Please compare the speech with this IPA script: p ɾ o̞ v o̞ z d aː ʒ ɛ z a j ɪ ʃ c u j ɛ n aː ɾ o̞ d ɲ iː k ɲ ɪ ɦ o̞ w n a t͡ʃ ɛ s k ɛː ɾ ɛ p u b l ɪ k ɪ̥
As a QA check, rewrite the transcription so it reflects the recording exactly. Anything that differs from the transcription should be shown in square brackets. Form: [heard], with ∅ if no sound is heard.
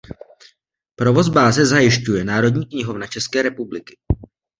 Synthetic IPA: p ɾ o̞ v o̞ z [b] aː [z] ɛ z a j ɪ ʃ c u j ɛ n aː ɾ o̞ d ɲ iː k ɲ ɪ ɦ o̞ [v] n a t͡ʃ ɛ s k ɛː ɾ ɛ p u b l ɪ k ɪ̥